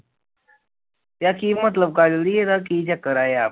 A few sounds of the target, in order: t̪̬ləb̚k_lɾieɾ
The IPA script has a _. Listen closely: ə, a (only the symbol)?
a